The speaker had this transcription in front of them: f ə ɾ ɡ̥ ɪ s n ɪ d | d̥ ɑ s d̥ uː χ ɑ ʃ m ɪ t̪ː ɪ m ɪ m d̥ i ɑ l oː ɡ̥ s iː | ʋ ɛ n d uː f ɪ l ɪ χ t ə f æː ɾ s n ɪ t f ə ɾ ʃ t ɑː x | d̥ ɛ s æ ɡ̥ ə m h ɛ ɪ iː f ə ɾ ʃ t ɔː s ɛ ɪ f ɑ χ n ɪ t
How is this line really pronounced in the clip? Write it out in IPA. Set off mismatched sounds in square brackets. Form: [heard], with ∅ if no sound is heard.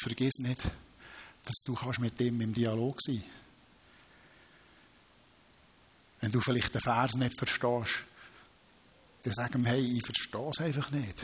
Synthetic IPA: f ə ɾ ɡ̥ ɪ s n ɪ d | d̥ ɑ s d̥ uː χ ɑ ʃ m ɪ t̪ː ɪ m ɪ m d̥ i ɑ l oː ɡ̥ s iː | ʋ ɛ n d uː f ɪ l ɪ χ t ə f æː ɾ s n ɪ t f ə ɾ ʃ t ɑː [ʃ] | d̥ ɛ s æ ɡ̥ ə m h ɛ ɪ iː f ə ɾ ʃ t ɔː s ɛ ɪ f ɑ χ n ɪ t